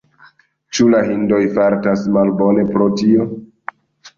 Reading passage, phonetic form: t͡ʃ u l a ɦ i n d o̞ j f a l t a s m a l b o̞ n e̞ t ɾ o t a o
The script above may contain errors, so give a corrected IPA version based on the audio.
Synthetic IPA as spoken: t͡ʃ u l a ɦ i n d o̞ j f a ɾ t a s m a l b o̞ n e̞ p ɾ o t i o